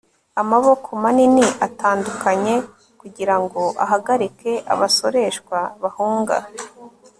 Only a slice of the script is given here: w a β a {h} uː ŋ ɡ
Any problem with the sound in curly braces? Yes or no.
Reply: no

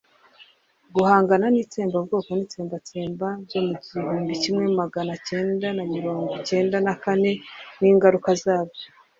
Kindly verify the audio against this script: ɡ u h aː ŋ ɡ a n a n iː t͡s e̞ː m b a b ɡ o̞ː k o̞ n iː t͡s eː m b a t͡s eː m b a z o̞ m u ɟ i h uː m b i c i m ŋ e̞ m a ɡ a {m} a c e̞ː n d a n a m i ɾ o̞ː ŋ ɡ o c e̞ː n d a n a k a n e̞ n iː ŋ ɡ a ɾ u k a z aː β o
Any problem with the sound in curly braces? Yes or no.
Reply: yes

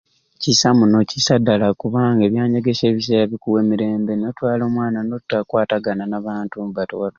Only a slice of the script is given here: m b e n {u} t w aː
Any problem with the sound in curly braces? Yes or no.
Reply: yes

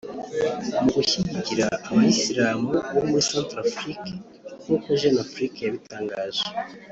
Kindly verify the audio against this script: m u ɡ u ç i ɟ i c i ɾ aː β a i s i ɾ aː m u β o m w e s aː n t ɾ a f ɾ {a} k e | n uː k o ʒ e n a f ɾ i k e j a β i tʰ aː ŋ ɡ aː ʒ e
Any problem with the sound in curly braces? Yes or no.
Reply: yes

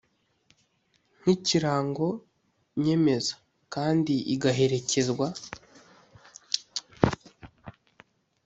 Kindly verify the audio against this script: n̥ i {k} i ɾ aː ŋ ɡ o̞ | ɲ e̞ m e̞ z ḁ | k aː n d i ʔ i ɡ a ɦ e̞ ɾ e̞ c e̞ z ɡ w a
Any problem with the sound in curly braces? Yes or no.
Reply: yes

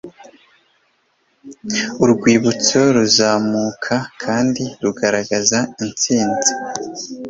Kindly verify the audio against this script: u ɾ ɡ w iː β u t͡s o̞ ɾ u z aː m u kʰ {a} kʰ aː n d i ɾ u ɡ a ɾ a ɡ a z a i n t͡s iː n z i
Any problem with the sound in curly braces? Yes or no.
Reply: no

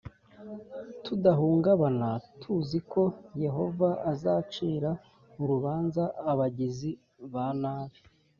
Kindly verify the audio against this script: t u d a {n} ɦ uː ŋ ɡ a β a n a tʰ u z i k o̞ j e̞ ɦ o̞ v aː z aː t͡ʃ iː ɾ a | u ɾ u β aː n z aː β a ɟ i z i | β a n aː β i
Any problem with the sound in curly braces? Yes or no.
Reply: yes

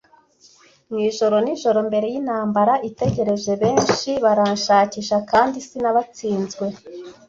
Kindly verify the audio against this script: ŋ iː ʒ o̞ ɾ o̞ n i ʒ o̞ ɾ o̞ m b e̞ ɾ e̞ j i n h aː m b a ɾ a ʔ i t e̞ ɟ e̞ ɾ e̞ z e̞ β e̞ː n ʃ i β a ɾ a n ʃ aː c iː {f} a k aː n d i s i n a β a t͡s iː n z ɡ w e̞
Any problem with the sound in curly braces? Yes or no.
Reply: yes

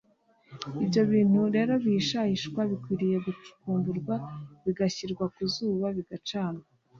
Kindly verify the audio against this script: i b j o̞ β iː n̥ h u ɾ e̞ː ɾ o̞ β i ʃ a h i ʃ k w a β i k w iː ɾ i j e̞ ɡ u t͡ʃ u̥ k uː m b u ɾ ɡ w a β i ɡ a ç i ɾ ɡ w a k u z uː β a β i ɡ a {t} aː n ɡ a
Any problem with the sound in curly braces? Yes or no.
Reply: yes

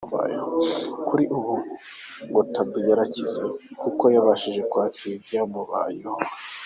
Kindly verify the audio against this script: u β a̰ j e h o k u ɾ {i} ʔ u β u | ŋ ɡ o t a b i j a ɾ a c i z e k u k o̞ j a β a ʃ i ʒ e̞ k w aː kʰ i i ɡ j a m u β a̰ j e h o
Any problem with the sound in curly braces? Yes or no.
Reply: no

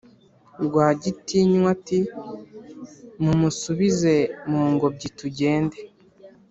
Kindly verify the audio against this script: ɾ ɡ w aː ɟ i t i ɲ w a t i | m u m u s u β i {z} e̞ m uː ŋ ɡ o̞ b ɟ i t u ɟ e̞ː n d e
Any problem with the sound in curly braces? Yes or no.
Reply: no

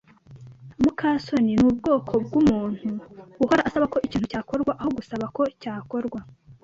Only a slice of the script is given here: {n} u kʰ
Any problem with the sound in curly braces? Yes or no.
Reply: yes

